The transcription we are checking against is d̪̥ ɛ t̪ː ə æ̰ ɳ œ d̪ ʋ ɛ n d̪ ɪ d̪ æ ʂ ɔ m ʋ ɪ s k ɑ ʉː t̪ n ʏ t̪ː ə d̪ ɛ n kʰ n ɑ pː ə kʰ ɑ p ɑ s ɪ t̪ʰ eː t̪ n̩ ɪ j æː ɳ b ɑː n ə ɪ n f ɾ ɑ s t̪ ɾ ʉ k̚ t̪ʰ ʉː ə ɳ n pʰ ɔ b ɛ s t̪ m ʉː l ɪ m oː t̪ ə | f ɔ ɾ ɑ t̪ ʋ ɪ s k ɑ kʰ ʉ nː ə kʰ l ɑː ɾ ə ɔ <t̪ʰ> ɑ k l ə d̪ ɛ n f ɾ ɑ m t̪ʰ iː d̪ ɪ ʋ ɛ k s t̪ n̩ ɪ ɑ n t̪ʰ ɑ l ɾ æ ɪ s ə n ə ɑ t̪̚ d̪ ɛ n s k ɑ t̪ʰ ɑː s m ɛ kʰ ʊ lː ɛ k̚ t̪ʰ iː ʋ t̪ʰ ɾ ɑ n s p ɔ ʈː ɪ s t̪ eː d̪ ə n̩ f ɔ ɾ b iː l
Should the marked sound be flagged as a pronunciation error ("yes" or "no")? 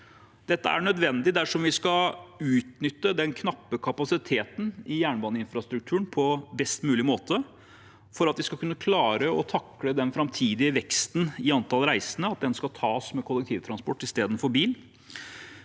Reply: no